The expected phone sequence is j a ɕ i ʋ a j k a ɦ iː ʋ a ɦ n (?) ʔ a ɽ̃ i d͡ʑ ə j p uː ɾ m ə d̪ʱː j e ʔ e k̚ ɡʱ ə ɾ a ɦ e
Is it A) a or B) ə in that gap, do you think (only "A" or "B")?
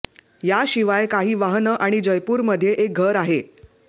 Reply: B